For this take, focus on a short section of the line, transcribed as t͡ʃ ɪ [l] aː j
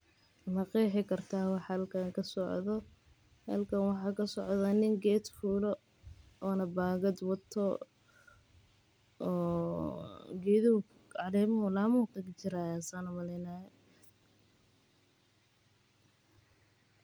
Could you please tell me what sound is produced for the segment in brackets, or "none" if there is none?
ɾ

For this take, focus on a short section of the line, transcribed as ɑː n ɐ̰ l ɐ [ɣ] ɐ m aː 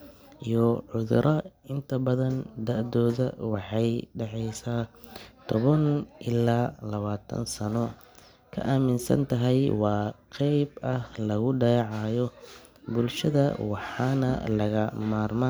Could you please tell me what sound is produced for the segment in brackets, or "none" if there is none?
ɣ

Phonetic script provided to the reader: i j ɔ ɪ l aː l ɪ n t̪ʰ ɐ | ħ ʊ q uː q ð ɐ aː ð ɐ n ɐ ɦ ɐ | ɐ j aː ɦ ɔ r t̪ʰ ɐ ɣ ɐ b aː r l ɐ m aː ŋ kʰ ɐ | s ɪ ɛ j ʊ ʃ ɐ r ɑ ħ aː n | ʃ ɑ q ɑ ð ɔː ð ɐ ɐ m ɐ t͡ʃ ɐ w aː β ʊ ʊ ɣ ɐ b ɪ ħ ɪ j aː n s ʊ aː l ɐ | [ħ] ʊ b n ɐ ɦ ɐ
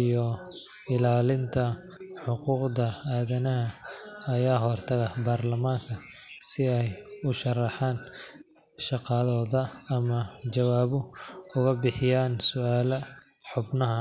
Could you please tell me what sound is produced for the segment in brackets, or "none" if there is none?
ħ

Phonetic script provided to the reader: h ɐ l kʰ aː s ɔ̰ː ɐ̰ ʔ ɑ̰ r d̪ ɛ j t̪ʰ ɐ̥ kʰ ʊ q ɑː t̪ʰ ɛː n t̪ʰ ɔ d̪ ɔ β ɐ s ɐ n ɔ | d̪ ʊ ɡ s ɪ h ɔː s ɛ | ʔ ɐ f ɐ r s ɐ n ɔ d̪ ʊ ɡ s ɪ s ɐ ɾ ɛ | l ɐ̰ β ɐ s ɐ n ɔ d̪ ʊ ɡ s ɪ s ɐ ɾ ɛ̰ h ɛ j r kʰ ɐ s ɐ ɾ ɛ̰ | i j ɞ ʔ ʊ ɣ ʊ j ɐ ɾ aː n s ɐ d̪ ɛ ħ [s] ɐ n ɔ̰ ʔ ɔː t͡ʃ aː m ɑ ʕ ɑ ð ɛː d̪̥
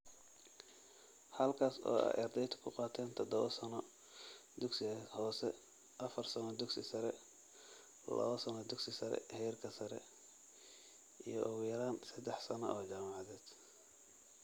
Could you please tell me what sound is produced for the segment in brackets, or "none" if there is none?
s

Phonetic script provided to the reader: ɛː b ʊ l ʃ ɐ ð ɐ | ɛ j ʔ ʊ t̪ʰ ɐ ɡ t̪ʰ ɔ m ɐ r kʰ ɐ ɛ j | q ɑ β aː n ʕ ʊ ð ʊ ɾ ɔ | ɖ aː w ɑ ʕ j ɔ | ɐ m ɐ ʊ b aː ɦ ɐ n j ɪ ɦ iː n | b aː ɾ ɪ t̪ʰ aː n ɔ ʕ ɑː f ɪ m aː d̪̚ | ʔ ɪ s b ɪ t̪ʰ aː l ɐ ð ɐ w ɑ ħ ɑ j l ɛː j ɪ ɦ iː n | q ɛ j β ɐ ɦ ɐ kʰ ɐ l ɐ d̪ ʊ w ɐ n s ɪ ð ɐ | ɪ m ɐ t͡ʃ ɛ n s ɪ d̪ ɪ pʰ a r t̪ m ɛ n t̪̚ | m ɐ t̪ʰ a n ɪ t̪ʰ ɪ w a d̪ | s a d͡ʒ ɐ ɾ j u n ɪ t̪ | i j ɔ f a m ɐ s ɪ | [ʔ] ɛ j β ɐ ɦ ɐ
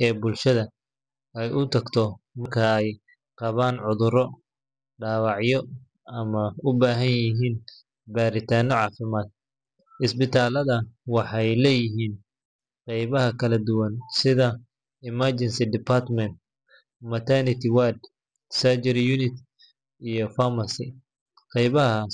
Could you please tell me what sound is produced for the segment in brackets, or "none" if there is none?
q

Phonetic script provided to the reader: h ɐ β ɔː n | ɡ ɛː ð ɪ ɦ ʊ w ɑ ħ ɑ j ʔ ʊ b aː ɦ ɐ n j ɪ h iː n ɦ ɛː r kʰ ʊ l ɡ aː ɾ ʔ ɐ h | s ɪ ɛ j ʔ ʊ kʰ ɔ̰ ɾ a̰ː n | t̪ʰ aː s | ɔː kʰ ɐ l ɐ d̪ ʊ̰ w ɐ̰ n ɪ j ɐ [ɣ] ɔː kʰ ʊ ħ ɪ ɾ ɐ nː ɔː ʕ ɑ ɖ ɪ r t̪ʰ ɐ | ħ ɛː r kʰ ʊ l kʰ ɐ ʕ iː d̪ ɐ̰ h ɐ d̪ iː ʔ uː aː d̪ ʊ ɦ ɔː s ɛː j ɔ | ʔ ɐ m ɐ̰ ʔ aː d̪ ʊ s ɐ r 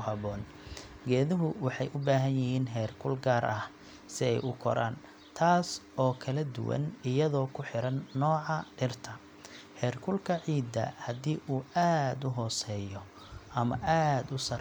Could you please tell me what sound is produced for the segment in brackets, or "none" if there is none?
ð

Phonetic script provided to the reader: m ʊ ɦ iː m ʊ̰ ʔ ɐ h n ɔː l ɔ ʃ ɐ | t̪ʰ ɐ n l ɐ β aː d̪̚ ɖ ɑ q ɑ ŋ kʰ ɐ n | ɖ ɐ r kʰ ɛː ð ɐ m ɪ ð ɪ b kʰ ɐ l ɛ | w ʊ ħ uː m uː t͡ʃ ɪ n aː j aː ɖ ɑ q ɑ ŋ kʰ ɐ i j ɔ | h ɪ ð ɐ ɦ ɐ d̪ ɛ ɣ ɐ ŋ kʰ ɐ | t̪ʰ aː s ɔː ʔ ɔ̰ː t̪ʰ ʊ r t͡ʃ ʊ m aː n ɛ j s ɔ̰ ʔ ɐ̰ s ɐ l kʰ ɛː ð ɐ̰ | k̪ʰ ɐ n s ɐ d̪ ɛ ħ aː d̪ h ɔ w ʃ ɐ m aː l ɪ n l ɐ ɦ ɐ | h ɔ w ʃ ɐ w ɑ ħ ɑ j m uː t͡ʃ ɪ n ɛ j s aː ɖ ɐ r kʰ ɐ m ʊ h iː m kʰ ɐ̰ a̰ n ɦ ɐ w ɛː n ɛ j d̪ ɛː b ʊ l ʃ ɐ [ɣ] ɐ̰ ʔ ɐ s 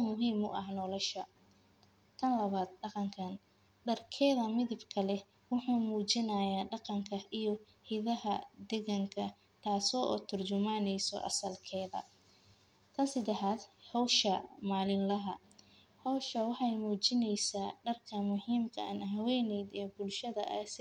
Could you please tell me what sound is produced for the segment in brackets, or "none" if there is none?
ð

